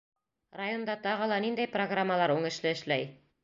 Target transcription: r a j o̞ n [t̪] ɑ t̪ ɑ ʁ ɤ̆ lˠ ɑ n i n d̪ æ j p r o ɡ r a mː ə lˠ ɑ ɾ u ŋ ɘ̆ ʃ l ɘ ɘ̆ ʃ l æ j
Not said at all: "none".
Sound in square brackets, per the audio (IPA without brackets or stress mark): d̪